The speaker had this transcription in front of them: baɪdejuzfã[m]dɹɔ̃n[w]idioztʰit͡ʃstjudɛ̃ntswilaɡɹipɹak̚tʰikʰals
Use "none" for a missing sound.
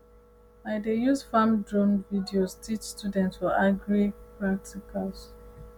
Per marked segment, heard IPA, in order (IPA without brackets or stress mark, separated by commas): m, v